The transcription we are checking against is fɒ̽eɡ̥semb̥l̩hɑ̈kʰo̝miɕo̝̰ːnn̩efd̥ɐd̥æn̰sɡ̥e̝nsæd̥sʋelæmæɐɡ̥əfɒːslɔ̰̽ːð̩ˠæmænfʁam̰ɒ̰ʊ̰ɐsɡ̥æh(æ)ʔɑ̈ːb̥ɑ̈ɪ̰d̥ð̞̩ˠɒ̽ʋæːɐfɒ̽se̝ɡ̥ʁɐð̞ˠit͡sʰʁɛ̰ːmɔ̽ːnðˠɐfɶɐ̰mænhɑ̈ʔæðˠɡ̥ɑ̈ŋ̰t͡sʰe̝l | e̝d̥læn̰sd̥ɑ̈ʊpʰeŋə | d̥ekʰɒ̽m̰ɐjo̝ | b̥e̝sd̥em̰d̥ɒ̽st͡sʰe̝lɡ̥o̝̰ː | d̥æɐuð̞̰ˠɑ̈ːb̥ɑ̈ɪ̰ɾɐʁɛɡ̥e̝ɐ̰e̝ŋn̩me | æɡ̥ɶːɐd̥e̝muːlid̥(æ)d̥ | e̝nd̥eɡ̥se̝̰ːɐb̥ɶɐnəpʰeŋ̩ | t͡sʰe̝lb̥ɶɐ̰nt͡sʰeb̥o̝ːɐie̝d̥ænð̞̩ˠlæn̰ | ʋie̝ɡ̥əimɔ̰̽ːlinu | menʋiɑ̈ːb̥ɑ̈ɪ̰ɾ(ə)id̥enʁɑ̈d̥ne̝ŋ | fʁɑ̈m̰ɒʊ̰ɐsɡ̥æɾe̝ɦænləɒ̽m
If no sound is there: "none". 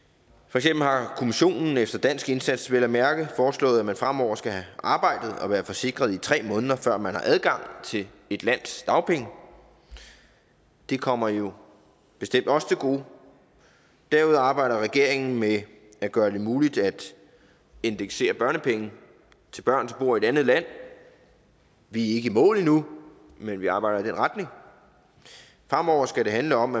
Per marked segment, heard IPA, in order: æ, æ, ɐ

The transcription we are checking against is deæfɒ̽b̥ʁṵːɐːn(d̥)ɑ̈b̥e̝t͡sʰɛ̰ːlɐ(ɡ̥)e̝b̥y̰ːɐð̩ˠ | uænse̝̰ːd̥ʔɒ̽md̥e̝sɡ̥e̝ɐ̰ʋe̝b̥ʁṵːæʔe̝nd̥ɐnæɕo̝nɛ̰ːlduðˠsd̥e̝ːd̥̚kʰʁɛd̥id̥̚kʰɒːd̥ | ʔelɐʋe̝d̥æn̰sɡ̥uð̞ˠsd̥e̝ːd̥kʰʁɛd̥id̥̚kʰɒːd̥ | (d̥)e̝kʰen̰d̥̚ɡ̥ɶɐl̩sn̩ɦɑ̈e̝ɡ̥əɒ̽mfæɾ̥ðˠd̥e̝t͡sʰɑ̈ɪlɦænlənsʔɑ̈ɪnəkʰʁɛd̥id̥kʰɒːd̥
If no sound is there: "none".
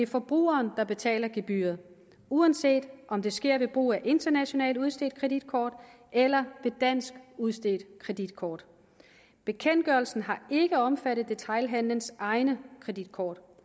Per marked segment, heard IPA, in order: d̥, ɡ̥, b̥

